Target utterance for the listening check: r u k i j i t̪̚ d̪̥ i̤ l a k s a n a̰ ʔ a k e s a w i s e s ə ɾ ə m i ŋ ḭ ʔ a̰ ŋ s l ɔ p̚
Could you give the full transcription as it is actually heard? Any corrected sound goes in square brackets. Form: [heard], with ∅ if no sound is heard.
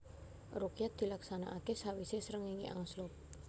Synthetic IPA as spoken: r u k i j [a] t̪̚ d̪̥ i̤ l a k s a n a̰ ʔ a k e s a w i s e s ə ɾ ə [ŋ] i ŋ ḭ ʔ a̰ ŋ s l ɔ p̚